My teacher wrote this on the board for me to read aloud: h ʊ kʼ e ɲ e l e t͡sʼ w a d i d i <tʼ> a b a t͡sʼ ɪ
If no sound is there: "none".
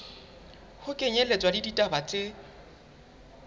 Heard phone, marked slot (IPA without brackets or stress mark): tʼ